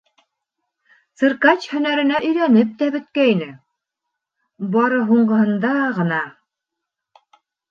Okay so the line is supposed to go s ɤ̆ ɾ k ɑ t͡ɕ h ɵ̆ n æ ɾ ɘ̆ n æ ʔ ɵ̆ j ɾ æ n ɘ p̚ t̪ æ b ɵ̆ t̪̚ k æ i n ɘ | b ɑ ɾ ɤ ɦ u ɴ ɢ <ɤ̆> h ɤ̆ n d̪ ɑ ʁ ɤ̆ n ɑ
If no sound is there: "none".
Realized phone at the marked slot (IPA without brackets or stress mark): ɤ̆